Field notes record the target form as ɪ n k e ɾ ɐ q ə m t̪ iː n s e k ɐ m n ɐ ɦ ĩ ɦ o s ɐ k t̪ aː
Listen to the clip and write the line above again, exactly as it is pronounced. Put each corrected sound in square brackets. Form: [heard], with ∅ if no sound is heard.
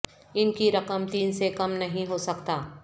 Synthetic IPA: ɪ n k [i] ɾ ɐ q ə m t̪ iː n s e k ɐ m n ɐ ɦ ĩ ɦ o s ɐ k t̪ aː